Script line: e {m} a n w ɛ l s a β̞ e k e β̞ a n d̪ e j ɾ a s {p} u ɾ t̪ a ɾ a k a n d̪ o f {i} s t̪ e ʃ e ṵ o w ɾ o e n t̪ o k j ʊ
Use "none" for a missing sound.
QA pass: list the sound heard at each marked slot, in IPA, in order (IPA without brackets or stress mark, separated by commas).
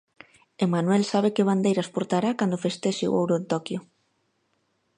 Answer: m, p, e